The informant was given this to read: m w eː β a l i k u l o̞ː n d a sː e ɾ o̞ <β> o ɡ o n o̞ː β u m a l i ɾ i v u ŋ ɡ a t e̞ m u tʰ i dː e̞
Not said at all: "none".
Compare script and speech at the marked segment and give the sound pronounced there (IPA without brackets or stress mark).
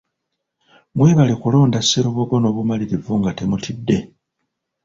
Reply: β